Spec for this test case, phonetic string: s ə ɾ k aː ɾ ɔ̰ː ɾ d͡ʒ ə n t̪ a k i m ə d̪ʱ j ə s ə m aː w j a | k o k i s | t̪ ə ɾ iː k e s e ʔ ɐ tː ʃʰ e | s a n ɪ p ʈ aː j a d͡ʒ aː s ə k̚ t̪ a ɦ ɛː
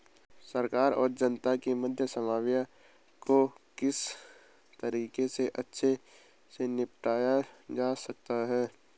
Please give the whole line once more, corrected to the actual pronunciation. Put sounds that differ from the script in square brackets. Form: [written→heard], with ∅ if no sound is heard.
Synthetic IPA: s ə ɾ k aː ɾ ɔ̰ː ɾ d͡ʒ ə n t̪ a k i m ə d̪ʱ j ə s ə m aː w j a | k o k [i→ɪ] s | t̪ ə ɾ iː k e s e ʔ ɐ tː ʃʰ e | s [a→e] n ɪ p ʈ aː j a d͡ʒ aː s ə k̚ t̪ a ɦ ɛː